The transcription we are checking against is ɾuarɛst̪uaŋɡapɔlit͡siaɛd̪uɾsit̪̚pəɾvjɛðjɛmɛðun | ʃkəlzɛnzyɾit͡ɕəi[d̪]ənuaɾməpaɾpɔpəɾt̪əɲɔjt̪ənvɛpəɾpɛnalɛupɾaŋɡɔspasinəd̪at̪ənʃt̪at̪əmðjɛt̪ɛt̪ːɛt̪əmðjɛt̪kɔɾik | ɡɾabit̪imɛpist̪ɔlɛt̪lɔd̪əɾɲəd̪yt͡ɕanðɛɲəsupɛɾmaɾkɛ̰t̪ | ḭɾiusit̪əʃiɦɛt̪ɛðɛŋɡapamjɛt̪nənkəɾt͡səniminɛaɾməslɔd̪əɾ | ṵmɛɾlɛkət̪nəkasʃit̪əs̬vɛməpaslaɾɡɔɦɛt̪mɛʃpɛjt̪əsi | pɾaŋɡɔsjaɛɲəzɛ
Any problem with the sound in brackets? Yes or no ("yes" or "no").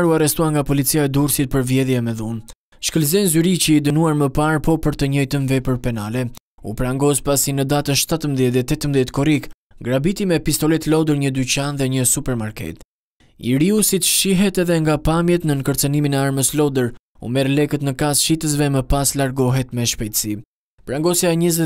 no